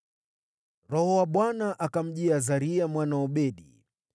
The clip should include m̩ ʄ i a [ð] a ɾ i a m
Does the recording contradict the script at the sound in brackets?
yes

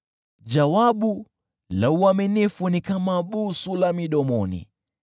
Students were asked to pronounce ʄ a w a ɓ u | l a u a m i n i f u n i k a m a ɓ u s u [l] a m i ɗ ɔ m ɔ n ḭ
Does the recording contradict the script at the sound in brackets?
no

